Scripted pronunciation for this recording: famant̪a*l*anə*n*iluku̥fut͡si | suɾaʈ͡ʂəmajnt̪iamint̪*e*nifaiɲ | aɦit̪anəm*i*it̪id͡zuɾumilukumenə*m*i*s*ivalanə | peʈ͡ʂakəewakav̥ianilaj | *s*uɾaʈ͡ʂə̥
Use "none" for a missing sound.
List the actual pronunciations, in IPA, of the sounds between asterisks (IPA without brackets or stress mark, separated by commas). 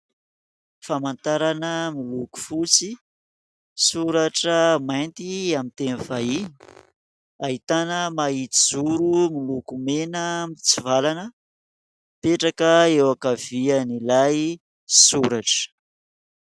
ɾ, m, e, a, m, t͡s, s